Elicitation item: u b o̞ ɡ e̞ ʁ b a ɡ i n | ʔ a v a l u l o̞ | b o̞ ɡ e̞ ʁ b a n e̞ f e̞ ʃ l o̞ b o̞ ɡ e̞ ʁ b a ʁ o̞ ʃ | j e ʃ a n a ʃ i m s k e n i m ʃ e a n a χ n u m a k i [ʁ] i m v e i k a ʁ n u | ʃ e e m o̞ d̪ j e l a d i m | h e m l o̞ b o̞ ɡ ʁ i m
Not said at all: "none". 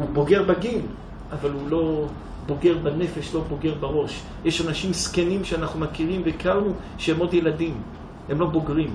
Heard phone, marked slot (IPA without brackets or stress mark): ʁ